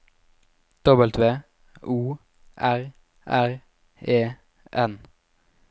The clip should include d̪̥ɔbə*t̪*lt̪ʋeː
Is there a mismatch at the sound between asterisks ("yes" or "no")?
yes